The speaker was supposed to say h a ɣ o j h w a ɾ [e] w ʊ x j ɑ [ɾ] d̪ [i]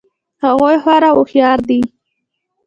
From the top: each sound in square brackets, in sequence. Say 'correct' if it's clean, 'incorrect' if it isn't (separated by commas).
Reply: incorrect, correct, correct